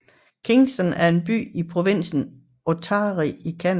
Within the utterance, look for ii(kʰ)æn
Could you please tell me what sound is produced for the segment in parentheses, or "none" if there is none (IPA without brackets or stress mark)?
kʰ